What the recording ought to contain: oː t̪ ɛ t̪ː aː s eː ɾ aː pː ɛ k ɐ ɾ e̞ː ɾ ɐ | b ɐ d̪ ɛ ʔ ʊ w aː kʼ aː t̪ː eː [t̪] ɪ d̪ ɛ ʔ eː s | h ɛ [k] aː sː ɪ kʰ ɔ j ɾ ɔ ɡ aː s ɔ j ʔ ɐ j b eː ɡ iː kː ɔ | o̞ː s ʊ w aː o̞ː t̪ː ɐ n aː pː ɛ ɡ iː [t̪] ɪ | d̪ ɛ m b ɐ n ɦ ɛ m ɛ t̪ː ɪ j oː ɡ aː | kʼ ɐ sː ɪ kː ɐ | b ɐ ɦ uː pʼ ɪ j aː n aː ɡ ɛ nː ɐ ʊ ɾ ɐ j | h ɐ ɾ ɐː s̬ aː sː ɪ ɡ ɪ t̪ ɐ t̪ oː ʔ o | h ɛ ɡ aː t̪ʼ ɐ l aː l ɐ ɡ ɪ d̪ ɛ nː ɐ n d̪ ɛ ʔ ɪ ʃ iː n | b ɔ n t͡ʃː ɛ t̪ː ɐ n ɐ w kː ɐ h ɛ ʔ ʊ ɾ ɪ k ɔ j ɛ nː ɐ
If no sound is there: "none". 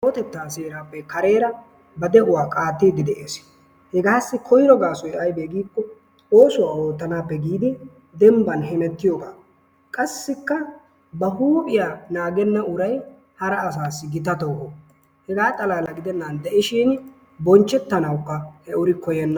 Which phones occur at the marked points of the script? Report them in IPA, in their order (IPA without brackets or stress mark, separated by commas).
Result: d̪, ɡ, d̪